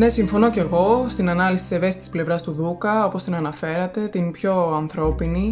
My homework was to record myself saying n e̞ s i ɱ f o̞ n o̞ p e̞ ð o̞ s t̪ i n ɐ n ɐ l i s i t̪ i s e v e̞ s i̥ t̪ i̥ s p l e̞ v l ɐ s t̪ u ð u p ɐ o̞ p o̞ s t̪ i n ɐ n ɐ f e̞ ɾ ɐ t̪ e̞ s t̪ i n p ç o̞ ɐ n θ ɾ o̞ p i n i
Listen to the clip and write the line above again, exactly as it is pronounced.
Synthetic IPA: n e̞ s i ɱ f o̞ n o̞ c e̞ ɣ o̞ s t̪ i n ɐ n ɐ l i s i t̪ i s e v e̞ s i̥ t̪ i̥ s p l e̞ v ɾ ɐ s t̪ u ð u k ɐ o̞ p o̞ s t̪ i n ɐ n ɐ f e̞ ɾ ɐ t̪ e̞ t̪ i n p ç o̞ ɐ n θ ɾ o̞ p i n i